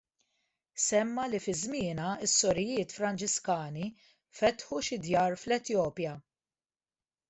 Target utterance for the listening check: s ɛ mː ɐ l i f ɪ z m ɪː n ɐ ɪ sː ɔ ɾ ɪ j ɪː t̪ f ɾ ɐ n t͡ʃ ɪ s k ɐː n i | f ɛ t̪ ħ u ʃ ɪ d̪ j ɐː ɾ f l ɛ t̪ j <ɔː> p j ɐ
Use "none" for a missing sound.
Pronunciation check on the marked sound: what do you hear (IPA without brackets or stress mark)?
ɔː